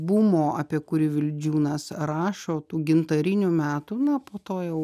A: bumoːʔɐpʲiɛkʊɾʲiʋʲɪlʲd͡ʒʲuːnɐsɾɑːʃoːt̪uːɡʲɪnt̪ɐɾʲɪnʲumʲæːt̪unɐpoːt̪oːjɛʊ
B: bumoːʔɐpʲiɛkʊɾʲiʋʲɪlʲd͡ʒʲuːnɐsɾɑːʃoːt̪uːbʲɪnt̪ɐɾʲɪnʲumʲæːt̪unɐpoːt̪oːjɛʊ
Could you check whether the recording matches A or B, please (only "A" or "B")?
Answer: A